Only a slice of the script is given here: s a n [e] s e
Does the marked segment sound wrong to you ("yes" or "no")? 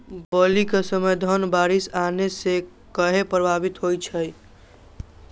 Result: no